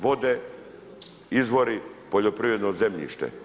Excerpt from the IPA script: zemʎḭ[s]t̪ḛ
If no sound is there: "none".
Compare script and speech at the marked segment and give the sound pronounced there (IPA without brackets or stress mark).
ʃ